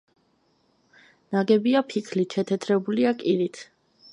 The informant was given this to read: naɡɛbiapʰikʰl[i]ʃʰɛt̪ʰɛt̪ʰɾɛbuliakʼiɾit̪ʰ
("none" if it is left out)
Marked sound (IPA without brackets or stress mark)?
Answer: i